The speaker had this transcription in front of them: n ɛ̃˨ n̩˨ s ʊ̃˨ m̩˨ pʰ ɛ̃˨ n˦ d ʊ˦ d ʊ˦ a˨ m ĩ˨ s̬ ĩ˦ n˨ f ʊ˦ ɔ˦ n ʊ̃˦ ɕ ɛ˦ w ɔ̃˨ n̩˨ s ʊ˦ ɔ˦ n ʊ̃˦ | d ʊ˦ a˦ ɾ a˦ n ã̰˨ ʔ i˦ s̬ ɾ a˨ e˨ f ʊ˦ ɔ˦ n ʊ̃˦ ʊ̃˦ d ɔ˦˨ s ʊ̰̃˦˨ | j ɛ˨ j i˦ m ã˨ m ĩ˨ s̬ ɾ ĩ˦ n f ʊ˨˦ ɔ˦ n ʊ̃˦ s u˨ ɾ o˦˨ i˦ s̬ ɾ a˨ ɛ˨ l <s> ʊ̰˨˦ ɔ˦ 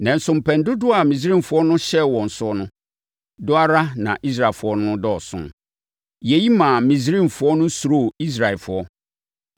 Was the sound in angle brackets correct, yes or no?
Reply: no